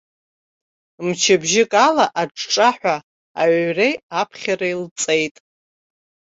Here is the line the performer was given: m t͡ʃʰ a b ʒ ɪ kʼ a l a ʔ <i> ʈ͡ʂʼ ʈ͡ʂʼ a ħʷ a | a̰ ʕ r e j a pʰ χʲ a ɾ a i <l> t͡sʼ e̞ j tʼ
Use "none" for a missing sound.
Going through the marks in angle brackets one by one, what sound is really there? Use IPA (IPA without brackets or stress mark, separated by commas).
a, l